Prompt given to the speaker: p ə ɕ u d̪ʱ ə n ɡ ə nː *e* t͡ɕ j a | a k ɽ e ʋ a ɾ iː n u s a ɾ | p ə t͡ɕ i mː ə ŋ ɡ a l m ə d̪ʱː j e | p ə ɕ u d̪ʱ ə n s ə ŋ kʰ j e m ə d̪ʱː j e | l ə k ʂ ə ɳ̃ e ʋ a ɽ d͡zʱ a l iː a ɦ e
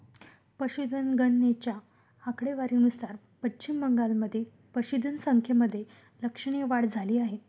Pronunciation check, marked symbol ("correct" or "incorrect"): correct